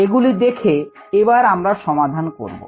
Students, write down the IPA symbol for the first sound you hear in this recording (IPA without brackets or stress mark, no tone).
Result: e